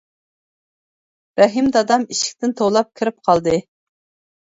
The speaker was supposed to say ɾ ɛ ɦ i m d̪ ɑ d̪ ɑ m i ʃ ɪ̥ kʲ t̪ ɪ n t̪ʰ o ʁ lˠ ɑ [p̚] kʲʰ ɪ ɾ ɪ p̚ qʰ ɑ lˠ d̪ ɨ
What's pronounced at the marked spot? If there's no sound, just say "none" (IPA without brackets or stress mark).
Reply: p̚